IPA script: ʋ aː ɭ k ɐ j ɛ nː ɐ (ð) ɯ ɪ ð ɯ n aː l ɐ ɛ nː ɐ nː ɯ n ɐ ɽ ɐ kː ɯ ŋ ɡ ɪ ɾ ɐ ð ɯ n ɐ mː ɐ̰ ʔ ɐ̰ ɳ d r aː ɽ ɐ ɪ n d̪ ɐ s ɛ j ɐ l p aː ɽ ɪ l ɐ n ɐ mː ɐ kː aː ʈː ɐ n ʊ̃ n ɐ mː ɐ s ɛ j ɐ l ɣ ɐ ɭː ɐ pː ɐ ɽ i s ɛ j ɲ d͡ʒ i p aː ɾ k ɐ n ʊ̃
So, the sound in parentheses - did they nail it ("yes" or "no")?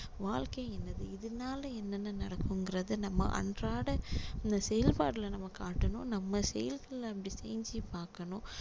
yes